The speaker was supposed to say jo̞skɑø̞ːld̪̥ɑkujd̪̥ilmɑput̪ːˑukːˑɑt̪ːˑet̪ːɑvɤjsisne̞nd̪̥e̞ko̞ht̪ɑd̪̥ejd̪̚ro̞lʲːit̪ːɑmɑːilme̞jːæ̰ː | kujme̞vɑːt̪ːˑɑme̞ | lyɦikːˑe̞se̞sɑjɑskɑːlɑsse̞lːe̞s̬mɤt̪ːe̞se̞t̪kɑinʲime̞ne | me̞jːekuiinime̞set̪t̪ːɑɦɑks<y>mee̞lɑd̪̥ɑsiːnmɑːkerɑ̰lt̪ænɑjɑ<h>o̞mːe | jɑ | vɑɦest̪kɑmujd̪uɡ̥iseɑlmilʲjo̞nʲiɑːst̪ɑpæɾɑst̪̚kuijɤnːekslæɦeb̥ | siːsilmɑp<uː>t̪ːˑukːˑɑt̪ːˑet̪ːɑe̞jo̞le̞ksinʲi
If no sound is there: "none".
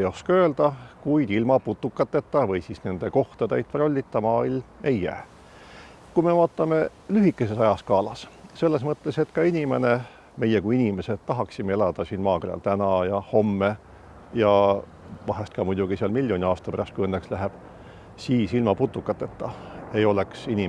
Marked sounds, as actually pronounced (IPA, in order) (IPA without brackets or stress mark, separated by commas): i, h, u